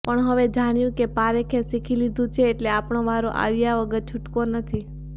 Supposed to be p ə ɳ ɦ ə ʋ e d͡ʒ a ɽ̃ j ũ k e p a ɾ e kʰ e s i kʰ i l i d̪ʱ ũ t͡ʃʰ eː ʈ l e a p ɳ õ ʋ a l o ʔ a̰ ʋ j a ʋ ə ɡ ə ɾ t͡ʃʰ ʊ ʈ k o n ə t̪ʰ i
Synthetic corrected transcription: p ə ɳ ɦ ə ʋ e d͡ʒ a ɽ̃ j ũ k e p a ɾ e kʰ e s i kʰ i l i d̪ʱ ũ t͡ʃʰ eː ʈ l e a p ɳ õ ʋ a ɾ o ʔ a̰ ʋ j a ʋ ə ɡ ə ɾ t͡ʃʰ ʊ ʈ k o n ə t̪ʰ i